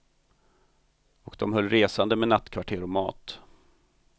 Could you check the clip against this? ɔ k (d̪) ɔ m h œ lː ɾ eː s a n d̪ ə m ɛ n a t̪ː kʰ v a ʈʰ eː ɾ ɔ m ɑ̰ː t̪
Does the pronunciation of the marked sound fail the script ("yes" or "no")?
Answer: no